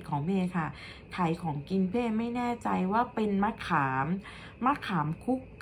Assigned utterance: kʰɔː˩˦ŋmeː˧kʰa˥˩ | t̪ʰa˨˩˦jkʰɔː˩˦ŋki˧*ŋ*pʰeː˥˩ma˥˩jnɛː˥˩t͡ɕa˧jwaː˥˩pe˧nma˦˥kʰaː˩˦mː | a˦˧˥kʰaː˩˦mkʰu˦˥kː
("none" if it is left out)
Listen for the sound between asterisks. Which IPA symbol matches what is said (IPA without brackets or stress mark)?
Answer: n